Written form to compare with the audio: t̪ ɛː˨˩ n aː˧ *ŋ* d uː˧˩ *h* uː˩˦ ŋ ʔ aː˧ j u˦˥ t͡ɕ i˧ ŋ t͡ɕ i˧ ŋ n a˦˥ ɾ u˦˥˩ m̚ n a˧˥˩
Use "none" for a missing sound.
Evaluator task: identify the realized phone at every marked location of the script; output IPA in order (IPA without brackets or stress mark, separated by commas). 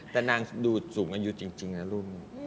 ŋ, s